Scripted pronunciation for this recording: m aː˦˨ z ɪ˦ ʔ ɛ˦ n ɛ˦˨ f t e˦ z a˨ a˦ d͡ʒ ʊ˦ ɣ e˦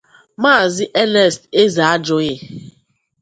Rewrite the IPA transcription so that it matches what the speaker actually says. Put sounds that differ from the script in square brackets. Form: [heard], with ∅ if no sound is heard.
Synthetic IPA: m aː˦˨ z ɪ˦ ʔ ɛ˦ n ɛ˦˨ [s] t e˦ z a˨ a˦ d͡ʒ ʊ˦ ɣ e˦